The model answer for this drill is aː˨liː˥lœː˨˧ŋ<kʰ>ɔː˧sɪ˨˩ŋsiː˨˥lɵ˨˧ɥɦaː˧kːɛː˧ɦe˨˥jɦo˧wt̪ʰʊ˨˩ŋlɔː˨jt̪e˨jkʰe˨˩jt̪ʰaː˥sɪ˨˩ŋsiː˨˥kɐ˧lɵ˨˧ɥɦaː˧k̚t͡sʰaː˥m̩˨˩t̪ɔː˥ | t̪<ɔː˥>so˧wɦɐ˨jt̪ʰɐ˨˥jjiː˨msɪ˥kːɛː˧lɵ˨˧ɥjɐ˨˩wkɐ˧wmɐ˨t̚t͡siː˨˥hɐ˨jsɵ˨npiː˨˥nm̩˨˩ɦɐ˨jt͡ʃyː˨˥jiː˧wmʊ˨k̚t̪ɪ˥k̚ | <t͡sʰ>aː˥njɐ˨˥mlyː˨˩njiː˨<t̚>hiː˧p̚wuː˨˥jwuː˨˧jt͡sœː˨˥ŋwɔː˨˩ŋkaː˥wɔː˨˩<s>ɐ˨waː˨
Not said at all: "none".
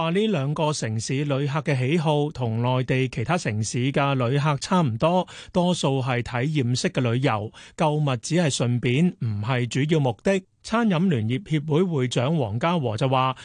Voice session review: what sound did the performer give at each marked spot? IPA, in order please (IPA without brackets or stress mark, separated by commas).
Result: k, ɔː˥, t͡sʰ, p̚, t͡s